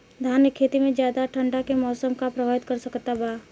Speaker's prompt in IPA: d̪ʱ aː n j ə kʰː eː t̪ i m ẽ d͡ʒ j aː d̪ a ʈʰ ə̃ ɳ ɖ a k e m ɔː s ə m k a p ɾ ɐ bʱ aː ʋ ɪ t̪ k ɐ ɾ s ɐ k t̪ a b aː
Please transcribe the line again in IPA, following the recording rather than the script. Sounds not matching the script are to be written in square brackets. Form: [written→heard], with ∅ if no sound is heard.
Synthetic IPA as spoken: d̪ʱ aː n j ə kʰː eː t̪ i m ẽ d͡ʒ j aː d̪ a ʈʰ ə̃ ɳ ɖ a k e m ɔː s ə m k a p ɾ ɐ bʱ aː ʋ ɪ t̪ k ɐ ɾ s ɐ k t̪ a b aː